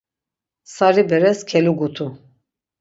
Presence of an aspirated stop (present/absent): present